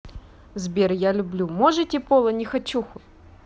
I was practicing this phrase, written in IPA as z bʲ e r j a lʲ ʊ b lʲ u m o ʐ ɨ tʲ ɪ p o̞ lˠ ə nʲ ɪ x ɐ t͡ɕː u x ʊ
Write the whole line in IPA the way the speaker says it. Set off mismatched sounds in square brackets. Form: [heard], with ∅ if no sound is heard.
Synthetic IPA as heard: z bʲ e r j a lʲ ʊ b lʲ u m o ʐ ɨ tʲ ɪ p o̞ lˠ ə nʲ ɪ x ɐ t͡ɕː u x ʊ